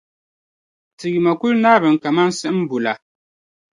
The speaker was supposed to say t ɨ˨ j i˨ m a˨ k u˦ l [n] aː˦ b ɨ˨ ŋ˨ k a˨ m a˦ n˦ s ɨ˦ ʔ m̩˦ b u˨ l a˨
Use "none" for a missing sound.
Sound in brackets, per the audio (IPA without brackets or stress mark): n